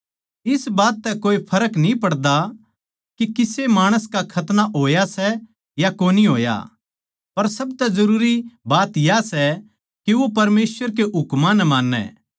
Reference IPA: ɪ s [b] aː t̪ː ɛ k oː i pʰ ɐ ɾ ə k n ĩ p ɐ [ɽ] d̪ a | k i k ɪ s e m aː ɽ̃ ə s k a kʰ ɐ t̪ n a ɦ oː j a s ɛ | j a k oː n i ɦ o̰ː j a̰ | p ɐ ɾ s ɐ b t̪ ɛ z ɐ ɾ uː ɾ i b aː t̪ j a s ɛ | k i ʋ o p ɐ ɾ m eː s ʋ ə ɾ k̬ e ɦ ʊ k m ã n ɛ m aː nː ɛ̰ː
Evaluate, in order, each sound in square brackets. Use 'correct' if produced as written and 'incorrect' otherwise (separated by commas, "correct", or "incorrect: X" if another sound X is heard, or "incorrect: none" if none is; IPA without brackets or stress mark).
correct, correct